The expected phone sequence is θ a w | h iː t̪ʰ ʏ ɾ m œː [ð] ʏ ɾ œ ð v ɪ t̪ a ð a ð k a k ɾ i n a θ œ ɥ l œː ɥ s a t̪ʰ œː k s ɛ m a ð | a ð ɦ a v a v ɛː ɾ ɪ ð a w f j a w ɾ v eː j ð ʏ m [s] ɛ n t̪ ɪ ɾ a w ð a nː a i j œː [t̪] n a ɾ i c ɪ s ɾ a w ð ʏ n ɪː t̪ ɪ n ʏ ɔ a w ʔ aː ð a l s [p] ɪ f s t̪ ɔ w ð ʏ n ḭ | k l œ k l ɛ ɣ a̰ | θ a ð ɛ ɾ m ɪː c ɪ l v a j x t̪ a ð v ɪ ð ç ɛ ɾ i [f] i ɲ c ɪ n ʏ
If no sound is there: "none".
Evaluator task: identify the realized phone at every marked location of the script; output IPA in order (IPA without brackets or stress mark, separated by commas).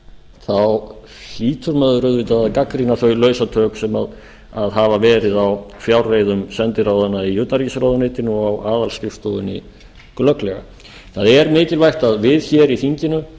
ð, s, t̪, c, θ